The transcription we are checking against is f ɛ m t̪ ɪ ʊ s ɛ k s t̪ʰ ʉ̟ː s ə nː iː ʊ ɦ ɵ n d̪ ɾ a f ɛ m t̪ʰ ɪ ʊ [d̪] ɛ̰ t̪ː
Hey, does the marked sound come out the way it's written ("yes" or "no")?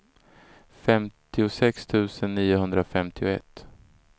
no